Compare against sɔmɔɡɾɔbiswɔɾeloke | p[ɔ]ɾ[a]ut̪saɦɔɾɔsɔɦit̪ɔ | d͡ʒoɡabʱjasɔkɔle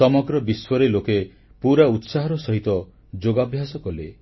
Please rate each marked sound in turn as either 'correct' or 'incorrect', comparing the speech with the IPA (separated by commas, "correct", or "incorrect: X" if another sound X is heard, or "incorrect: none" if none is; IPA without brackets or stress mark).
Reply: incorrect: u, correct